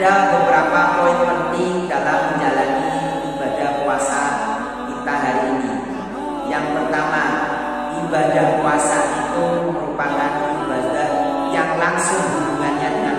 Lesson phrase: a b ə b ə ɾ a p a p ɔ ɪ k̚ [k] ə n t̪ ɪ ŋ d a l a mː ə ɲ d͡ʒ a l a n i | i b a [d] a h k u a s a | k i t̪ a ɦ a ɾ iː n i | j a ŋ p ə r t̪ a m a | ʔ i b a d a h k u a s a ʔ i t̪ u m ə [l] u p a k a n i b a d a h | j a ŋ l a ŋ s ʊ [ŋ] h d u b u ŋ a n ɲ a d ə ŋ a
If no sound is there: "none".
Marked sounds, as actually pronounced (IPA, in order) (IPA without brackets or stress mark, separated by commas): p, d, ɾ, ŋ